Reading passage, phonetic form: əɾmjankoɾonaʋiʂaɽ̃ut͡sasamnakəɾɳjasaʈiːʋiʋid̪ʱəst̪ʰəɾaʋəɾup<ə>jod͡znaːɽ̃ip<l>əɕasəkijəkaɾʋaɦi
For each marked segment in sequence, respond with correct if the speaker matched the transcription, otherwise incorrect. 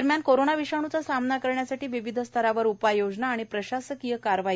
incorrect: a, incorrect: ɾ

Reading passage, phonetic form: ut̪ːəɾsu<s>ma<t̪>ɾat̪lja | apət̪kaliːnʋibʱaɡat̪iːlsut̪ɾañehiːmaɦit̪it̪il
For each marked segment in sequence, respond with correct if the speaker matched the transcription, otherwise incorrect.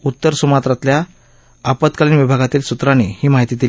incorrect: none, correct

